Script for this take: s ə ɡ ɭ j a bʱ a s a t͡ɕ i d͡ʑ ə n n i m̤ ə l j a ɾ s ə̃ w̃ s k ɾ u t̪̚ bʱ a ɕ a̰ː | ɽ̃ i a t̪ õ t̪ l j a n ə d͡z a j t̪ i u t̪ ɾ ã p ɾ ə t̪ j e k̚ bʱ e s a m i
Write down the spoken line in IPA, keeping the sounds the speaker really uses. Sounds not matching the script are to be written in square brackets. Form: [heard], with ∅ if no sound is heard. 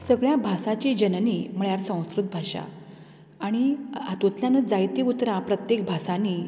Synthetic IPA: s ə ɡ ɭ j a bʱ a s a t͡ɕ i d͡ʑ ə n n i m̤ ə [ɭ] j a ɾ s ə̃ w̃ s k ɾ u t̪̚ bʱ a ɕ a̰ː | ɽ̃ i a t̪ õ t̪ l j a n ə d͡z a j t̪ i u t̪ ɾ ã p ɾ ə t̪ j e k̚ bʱ [a] s a [n] i